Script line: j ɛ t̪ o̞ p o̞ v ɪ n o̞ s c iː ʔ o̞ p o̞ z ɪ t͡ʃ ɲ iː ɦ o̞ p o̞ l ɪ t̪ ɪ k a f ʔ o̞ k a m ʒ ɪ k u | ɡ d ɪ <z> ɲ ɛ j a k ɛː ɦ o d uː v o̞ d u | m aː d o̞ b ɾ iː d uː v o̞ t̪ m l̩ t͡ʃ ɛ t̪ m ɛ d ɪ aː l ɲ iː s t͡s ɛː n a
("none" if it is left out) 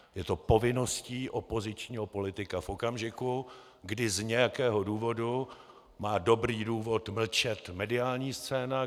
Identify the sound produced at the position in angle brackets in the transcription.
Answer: z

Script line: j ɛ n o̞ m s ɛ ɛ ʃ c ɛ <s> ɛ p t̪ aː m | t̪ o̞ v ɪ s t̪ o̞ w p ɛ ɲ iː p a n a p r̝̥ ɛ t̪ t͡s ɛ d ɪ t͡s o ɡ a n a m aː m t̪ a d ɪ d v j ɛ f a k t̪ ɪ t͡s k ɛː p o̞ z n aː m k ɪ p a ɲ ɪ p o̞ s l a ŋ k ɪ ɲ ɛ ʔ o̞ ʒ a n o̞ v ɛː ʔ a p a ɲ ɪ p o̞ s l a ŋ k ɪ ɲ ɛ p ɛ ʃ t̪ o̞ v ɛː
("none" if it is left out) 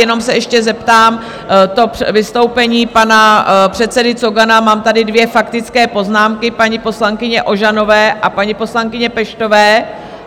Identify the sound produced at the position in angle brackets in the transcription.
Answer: z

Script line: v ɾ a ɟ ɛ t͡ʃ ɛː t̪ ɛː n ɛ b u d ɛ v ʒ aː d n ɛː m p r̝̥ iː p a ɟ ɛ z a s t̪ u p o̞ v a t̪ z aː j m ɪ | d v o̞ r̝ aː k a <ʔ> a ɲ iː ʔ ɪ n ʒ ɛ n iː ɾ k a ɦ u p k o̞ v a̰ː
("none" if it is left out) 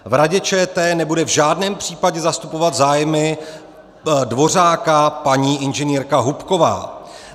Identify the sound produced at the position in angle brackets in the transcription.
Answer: p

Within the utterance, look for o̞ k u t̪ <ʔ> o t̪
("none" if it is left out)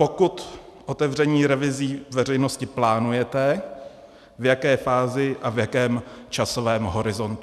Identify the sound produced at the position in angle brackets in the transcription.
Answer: ʔ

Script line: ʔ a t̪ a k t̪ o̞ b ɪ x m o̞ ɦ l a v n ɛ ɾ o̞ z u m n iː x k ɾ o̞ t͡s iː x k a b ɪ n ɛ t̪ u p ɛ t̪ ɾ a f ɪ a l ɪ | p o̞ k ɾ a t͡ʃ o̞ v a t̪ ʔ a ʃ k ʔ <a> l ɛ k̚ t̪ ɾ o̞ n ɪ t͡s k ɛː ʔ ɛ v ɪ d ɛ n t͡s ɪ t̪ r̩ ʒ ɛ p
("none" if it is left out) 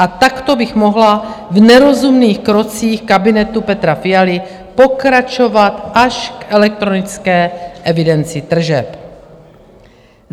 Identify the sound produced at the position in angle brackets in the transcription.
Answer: ɛ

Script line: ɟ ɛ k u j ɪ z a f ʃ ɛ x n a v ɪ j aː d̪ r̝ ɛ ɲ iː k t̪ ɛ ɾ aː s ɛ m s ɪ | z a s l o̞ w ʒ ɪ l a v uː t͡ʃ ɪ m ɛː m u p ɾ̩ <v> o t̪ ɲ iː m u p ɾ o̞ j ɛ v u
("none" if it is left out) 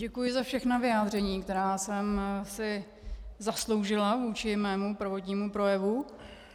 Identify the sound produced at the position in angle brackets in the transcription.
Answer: v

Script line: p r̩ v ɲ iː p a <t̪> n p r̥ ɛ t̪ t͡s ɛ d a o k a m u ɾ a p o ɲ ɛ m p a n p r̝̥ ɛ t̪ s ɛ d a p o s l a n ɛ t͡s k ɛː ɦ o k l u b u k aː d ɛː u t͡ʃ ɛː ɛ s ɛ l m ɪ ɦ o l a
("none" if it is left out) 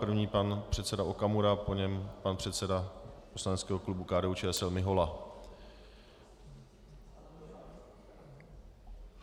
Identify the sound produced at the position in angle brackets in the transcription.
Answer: none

